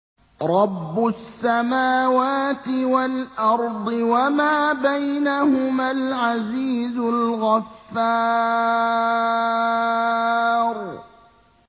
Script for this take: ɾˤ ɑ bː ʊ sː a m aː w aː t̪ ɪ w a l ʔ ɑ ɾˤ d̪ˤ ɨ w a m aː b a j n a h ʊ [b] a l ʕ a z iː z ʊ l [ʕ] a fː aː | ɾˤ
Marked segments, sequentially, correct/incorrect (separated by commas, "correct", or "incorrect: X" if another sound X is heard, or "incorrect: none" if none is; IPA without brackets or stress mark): incorrect: m, incorrect: ɣ